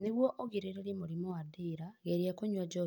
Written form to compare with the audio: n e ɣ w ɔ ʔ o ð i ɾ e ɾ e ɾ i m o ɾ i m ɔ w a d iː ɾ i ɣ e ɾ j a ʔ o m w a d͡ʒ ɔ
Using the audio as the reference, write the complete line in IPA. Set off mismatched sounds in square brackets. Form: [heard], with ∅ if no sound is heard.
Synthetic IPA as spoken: n e ɣ w ɔ ʔ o [ɣ] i ɾ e ɾ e ɾ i m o ɾ i m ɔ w a d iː ɾ [a] ɣ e ɾ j a [k] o [ɲ] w a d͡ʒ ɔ

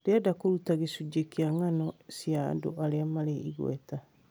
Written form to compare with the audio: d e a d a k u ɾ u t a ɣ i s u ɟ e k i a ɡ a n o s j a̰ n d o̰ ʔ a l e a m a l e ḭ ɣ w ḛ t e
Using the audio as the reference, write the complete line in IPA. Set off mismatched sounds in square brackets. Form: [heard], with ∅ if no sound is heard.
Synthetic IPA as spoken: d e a d a k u ɾ u t a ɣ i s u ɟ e k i a [ŋ] a n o s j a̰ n d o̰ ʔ a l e a m a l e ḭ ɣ w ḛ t [a]

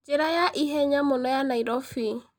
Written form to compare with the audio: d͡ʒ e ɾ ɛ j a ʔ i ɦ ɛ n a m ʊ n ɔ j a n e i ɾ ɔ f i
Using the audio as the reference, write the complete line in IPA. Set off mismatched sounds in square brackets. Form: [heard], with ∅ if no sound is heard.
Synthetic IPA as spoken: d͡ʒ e ɾ [a] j a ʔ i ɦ ɛ [ɲ] a m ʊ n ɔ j a n [a] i ɾ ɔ f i

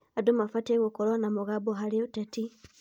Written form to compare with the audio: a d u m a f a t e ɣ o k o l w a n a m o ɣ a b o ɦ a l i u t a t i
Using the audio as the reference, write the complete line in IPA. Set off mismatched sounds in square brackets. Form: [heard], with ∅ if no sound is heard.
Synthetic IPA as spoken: a d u m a f a t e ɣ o k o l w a n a m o ɣ a b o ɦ a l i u t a t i

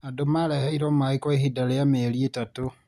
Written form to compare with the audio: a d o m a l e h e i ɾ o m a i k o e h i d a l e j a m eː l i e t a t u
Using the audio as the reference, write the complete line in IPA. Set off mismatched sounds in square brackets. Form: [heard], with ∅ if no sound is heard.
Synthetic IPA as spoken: a d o m a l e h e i ɾ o m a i k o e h i d a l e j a m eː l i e t a t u

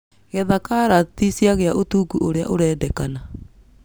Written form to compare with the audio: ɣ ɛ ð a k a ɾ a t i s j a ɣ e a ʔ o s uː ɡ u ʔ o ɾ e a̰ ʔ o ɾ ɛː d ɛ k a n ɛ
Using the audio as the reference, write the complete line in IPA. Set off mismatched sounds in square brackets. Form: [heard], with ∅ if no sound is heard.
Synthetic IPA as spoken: ɣ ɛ ð a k a ɾ a t i s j a ɣ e a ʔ o [t] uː ɡ u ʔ o ɾ e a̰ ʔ o ɾ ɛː d ɛ k a n [a]

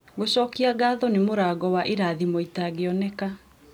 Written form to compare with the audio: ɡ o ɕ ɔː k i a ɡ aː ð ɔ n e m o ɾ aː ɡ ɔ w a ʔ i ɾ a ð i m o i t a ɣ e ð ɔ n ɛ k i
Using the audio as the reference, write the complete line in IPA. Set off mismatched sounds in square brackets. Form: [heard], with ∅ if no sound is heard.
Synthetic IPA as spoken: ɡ o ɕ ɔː k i a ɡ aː ð ɔ n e m o ɾ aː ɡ ɔ w a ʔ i ɾ a ð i m o i t a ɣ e [∅] ɔ n ɛ k [a]

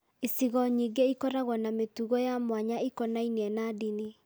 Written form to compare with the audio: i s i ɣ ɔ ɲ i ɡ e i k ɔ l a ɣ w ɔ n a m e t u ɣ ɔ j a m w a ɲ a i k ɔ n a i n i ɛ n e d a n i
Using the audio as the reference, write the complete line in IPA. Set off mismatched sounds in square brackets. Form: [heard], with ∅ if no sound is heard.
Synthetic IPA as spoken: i s i ɣ ɔ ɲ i ɡ e i k ɔ [ɾ] a ɣ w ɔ n a m e t u ɣ ɔ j a m w a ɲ a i k ɔ n a i n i ɛ n [a] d [i] n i

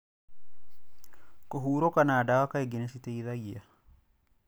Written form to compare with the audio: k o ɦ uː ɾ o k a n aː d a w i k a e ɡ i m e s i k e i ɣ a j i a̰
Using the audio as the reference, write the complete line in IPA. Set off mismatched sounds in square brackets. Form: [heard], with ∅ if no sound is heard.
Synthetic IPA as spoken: k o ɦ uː ɾ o k a n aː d a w [a] k a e ɡ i [n] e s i [t] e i [ð] a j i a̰

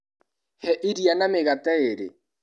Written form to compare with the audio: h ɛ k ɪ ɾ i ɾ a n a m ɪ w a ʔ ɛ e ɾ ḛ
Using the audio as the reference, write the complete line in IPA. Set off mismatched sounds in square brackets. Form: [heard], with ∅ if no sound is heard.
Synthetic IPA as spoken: h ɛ [ʔ] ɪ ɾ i [∅] a n a m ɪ [ɣ] a [t] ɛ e ɾ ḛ

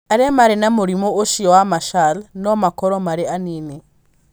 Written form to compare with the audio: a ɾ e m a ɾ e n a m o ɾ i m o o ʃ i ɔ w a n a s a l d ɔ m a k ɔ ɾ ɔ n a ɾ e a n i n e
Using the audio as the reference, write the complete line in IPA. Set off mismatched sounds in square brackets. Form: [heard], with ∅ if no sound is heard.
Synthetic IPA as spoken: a ɾ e m a ɾ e n a m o ɾ i m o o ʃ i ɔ w a [m] a [ʃ] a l [n] ɔ m a k ɔ ɾ ɔ [m] a ɾ e a n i n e

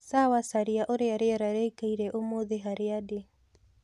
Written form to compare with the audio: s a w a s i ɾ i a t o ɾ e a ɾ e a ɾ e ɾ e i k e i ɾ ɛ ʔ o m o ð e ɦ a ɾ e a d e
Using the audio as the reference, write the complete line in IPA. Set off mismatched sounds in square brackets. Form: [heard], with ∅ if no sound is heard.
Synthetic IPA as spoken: s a w a s [a] ɾ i a [ʔ] o ɾ e a ɾ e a ɾ [a] ɾ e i k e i ɾ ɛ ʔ o m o ð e ɦ a ɾ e a d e

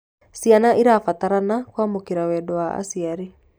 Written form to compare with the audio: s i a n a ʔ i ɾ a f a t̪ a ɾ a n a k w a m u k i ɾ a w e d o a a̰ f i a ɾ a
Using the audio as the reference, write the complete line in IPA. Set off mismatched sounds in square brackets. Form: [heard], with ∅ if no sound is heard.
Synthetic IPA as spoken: s i a n a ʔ i ɾ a f a t̪ a ɾ a n a k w a m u k i ɾ a w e d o a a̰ [s] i a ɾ [i]

